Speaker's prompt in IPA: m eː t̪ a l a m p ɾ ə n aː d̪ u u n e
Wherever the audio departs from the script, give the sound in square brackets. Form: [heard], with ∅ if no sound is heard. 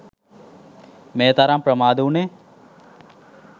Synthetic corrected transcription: m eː t̪ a [ɾ] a m p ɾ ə [m] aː d̪ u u n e